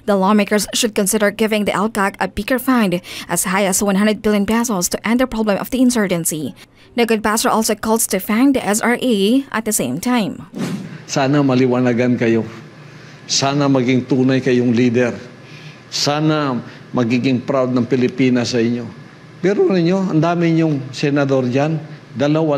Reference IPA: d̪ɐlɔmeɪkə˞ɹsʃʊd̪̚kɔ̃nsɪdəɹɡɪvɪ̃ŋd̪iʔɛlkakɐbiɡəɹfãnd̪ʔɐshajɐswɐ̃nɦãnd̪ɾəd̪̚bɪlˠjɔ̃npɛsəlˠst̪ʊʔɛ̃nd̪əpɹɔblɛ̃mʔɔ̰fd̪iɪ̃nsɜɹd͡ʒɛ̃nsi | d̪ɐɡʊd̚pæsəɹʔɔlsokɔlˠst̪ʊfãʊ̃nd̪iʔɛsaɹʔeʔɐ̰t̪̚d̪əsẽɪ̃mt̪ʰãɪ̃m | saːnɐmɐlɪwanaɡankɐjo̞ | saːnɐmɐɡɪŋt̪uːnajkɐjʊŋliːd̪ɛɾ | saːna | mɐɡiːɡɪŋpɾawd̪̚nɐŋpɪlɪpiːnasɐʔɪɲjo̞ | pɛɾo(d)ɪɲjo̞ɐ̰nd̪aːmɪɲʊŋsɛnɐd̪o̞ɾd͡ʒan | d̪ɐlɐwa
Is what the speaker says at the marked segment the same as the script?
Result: no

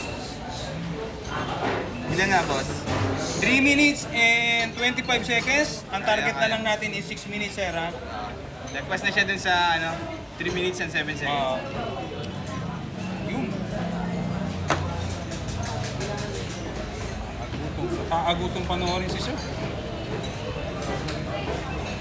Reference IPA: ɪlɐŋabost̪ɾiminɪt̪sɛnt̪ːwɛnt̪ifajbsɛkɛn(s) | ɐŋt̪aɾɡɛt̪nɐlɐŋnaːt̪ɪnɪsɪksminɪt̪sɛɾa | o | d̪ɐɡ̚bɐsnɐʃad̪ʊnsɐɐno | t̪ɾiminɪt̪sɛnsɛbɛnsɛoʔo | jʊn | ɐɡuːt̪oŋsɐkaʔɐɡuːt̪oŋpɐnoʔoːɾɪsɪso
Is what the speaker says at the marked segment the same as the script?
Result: yes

